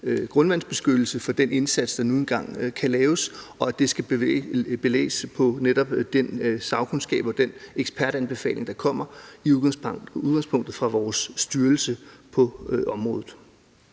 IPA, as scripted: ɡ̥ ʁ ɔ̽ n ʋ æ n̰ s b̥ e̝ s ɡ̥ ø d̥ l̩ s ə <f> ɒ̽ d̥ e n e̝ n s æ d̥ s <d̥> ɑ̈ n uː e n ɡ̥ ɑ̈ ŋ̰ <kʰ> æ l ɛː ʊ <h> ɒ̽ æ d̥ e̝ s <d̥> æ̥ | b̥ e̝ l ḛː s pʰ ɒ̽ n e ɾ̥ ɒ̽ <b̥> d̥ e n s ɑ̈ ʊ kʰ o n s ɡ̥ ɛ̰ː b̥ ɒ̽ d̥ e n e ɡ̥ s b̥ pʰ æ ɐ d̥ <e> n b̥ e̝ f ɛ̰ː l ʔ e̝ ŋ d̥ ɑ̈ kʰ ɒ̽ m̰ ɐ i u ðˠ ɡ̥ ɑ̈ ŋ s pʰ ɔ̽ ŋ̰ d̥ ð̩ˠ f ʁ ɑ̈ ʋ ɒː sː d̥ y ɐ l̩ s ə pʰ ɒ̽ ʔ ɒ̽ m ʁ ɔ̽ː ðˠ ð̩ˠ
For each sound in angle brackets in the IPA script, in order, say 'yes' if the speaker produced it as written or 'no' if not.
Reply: yes, yes, yes, no, no, yes, no

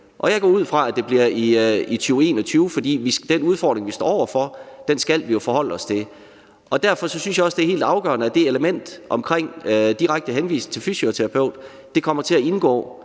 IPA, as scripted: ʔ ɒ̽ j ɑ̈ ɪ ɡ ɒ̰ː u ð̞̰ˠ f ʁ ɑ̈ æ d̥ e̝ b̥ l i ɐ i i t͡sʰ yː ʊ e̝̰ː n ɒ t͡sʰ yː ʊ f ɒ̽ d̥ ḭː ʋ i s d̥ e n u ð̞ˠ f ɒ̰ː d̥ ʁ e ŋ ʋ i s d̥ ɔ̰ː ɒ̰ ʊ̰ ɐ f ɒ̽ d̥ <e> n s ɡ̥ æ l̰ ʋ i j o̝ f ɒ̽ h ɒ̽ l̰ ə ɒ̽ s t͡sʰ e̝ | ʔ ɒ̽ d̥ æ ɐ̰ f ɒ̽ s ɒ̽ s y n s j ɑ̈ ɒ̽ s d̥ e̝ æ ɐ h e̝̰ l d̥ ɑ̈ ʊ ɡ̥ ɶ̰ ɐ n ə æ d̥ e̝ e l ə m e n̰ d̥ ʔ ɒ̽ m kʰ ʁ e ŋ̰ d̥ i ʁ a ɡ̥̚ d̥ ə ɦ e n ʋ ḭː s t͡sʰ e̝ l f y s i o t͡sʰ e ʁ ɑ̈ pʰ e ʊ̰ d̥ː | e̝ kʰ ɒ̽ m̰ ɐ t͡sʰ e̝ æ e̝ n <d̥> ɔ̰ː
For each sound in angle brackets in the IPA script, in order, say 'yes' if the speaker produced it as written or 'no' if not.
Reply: yes, no

